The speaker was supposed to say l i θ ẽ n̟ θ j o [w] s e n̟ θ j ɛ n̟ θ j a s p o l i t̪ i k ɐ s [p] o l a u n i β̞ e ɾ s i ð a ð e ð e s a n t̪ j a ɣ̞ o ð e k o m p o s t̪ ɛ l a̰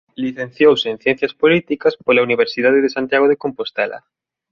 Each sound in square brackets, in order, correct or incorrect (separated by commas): correct, correct